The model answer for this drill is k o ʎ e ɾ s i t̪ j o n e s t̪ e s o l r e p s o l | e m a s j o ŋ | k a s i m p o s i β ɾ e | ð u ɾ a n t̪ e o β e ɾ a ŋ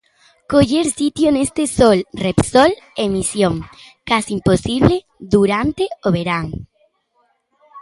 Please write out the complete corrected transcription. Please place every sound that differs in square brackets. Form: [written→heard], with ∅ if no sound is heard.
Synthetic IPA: k o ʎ e ɾ s i t̪ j o n e s t̪ e s o l r e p s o l | e m [a→i] s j o ŋ | k a s i m p o s i β [ɾ→l] e | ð u ɾ a n t̪ e o β e ɾ a ŋ